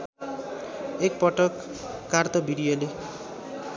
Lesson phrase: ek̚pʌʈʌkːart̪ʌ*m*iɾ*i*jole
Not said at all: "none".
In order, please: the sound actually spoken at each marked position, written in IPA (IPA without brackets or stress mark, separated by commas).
b, i